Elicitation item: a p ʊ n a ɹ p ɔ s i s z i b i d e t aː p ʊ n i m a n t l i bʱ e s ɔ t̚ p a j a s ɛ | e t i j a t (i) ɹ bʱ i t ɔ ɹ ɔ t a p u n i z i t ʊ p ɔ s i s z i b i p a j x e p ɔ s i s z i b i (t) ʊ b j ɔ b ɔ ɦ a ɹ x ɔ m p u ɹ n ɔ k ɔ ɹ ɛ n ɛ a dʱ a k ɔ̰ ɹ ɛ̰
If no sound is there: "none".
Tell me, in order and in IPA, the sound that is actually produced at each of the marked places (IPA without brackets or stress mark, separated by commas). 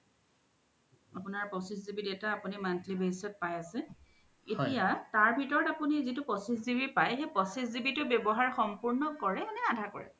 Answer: a, t